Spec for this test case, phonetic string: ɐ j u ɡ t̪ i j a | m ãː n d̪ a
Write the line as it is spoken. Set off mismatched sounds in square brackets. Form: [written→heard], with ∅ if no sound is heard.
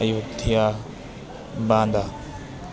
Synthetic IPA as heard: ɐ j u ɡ [t̪→t̪ʰ] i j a | [m→b] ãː n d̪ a

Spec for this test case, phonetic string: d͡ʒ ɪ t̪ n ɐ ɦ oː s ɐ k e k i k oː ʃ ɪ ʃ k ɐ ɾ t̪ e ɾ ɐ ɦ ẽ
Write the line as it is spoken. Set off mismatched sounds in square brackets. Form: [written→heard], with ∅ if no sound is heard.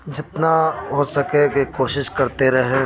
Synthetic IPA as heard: d͡ʒ ɪ t̪ n [ɐ→a] ɦ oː s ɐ k e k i k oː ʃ ɪ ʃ k ɐ ɾ t̪ e ɾ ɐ ɦ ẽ

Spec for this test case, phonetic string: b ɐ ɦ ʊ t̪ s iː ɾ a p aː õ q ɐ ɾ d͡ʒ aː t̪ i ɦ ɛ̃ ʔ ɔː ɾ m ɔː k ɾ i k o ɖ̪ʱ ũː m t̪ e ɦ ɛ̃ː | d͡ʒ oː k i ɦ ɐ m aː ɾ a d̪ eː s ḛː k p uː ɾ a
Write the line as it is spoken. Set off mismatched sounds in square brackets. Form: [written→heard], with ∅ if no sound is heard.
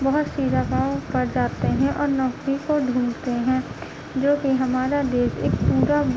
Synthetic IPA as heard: b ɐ ɦ ʊ t̪ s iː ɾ a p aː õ [q→p] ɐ ɾ d͡ʒ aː t̪ [i→e] ɦ ɛ̃ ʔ ɔː ɾ [m→n] ɔː k ɾ i k o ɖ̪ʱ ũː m t̪ e ɦ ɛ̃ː | d͡ʒ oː k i ɦ ɐ m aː ɾ a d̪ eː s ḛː k p uː ɾ a

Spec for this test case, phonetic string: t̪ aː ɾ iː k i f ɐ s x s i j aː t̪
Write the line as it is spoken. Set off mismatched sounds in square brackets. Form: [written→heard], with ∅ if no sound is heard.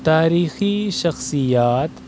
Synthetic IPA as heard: t̪ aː ɾ iː [k→x] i [f→ʃ] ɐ [s→∅] x s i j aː t̪

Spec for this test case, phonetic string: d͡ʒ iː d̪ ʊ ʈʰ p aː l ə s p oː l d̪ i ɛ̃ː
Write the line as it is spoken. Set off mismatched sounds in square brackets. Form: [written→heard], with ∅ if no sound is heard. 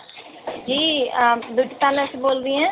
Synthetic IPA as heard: d͡ʒ iː d̪ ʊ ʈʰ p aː l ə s [p→b] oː l d̪ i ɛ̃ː

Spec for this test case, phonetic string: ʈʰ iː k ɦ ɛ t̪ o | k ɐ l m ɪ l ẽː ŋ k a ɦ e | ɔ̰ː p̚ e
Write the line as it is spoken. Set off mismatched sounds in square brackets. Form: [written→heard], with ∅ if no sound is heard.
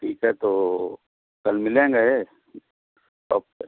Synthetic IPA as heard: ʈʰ iː k ɦ ɛ t̪ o | k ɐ l m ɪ l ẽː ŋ [k→ɡ] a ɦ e | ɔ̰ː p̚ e

